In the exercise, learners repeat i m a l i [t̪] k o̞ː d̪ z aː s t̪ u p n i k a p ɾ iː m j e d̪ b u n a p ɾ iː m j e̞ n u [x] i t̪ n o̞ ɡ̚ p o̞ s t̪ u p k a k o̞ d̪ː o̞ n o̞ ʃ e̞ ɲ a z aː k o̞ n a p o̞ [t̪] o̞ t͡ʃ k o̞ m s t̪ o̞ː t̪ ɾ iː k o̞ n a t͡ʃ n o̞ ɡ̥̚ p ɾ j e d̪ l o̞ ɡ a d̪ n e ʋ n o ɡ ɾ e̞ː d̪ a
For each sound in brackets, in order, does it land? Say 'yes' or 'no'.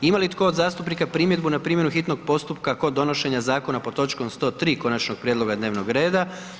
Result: yes, yes, yes

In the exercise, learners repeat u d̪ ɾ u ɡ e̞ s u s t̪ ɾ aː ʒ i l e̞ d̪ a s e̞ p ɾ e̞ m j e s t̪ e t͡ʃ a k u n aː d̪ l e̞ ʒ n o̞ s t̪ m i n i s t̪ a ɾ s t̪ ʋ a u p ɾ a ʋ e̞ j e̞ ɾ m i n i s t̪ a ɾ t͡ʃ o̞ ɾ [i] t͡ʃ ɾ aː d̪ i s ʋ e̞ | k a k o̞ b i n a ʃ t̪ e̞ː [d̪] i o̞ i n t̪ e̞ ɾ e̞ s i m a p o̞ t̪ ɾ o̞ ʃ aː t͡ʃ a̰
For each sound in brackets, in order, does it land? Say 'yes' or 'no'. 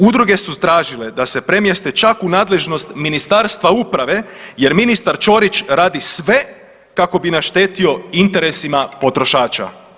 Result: yes, no

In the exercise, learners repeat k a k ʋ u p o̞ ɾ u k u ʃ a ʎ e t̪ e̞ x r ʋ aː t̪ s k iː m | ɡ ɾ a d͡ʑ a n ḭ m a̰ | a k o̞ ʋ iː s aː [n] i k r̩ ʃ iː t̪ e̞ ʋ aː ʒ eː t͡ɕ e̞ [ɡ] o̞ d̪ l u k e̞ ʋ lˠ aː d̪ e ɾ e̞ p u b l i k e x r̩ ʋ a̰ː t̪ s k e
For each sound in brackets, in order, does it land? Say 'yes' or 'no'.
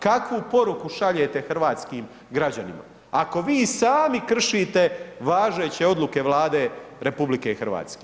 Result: no, no

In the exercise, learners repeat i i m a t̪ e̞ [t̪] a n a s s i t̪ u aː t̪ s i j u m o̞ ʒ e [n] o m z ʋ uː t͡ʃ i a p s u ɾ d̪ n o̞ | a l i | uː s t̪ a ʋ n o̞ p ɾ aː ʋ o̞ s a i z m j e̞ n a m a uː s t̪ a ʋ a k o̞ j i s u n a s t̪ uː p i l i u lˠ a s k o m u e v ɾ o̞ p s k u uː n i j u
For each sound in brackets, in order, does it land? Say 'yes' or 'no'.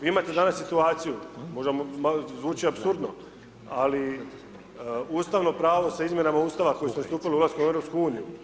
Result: no, no

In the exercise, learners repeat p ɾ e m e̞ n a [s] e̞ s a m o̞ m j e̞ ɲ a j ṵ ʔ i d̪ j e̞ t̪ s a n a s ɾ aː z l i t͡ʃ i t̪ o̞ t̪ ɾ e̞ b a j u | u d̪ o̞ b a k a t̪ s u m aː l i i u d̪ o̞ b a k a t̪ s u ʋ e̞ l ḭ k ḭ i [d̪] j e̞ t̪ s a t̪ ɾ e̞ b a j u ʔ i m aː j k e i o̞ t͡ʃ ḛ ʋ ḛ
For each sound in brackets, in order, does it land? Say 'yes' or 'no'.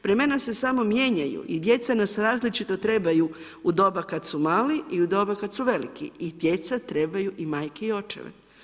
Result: yes, yes

